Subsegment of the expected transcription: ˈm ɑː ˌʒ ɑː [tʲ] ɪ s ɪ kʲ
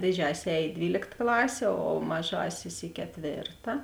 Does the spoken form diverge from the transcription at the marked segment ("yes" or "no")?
yes